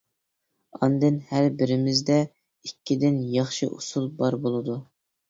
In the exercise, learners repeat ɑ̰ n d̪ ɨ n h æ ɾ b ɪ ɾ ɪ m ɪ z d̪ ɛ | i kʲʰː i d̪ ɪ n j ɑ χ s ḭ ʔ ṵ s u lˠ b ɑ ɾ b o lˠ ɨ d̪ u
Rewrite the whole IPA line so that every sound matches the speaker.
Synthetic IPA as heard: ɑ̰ n d̪ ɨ n h æ ɾ b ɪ ɾ ɪ m ɪ z d̪ ɛ | i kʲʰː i d̪ ɪ n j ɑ χ ʃ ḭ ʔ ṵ s u lˠ b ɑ ɾ b o lˠ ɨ d̪ u